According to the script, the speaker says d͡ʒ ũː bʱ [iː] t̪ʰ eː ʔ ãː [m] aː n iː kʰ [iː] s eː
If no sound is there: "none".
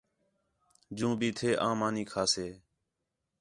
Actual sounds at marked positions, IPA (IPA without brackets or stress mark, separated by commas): iː, m, aː